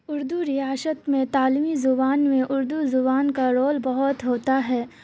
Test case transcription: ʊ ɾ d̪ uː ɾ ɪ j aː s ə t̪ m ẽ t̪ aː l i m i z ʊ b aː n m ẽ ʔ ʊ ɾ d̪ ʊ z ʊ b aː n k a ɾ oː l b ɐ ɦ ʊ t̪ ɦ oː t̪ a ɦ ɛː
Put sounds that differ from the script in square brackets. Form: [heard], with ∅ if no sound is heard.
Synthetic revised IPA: ʊ ɾ d̪ [u] ɾ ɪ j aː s ə t̪ m ẽ t̪ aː l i m i z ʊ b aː n m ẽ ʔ ʊ ɾ d̪ [u] z ʊ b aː n k a ɾ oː l b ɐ ɦ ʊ t̪ ɦ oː t̪ a ɦ ɛː